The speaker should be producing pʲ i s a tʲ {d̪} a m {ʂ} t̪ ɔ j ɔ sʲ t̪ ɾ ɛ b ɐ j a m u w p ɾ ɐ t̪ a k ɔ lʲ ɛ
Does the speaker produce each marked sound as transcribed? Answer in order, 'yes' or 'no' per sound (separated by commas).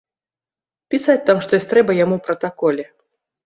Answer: no, yes